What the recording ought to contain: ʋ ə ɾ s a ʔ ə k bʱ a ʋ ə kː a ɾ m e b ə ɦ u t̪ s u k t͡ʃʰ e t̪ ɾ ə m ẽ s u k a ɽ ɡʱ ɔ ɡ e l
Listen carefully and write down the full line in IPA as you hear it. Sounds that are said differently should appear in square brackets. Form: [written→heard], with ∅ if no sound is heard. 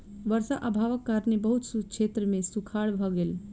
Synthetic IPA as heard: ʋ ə ɾ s a ʔ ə [k→∅] bʱ a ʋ ə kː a ɾ [m→n] e b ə ɦ u t̪ s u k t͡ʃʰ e t̪ ɾ ə m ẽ s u [k→kʰ] a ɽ [ɡʱ→bʱ] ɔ ɡ e l